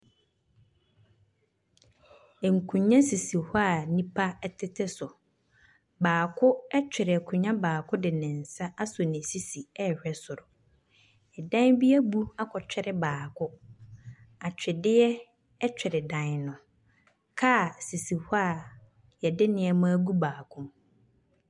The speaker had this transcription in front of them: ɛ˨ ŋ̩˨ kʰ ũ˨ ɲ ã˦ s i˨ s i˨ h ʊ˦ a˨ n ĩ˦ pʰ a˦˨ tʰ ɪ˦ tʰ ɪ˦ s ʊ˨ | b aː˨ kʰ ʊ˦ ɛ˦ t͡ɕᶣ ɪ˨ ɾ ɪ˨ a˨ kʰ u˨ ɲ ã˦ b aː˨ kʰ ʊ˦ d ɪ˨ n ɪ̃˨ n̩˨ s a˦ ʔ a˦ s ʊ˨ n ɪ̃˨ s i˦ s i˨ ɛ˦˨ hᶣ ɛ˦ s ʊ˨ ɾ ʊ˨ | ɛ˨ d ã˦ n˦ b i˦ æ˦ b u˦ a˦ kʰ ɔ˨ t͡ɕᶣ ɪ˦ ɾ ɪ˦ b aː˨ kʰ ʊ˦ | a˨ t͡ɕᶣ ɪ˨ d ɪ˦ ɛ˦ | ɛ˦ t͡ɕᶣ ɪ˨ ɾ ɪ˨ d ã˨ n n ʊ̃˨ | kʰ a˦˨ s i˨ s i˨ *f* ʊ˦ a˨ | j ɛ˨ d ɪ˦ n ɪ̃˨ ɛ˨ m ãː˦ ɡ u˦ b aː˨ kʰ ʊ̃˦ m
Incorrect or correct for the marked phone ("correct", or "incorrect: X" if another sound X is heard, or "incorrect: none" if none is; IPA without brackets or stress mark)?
incorrect: h